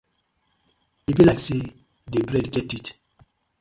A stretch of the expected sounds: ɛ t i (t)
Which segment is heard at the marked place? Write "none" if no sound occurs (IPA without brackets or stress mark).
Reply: t